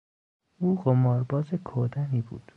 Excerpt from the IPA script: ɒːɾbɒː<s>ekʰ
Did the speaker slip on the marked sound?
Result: yes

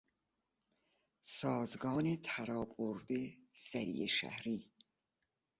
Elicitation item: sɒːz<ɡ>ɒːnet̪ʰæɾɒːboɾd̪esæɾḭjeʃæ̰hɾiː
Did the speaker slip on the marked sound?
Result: no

